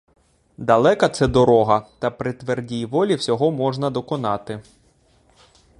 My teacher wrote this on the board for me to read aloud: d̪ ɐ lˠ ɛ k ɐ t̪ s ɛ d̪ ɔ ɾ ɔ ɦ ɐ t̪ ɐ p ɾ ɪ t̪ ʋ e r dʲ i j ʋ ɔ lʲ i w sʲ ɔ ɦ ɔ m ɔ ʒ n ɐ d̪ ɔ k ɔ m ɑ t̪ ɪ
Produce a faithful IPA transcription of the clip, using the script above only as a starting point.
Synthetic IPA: d̪ ɐ lˠ ɛ k ɐ t̪ s ɛ d̪ ɔ ɾ ɔ ɦ ɐ t̪ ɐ p ɾ ɪ t̪ ʋ e r dʲ i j ʋ ɔ lʲ i w sʲ ɔ ɦ ɔ m ɔ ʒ n ɐ d̪ ɔ k ɔ n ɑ t̪ ɪ